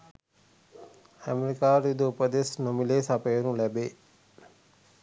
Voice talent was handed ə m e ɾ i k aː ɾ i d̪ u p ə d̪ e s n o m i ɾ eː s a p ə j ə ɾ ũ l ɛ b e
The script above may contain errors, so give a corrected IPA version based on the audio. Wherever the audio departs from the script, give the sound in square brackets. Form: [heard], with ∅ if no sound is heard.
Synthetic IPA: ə m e ɾ i k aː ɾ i d̪ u p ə d̪ e s n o m i [l] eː s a p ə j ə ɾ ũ l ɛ b e